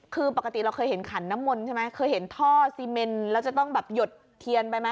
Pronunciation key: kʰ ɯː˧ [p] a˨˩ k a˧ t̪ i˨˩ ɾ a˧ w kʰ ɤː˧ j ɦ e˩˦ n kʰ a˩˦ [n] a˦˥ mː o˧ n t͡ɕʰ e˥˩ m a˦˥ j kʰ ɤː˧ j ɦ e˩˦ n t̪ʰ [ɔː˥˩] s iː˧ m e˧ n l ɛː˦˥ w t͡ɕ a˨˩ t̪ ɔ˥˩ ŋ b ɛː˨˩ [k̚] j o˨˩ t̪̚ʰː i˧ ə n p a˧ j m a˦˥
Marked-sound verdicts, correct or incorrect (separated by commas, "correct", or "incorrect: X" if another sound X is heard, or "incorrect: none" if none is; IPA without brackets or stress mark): correct, incorrect: nː, correct, incorrect: p̚